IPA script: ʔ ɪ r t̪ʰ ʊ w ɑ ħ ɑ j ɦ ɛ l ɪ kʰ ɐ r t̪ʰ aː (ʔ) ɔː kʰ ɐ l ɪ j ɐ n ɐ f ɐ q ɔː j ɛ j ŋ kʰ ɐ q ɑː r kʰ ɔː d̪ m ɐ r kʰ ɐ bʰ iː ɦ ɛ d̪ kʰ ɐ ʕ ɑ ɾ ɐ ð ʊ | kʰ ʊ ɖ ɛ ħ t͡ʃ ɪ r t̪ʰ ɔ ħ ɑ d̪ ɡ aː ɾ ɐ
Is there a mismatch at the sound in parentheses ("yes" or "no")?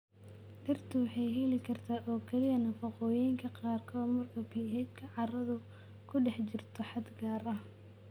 no